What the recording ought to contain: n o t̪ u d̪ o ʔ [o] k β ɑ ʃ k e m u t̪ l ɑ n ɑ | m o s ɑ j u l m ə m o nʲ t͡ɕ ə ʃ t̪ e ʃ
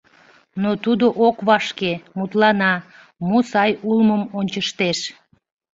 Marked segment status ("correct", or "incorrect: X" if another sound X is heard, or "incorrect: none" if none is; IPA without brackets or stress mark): correct